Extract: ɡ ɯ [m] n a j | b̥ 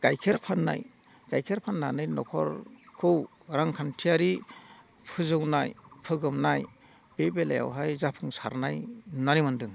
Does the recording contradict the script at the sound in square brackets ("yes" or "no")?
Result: no